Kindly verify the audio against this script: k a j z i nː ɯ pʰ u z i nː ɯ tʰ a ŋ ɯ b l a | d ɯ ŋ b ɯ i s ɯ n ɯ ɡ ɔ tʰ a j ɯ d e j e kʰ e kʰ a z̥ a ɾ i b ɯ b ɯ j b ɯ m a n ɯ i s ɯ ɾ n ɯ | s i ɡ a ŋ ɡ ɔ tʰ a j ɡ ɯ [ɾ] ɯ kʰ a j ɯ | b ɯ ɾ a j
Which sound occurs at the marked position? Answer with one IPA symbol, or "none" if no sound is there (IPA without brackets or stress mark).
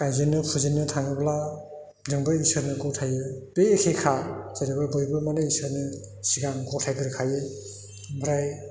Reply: ɾ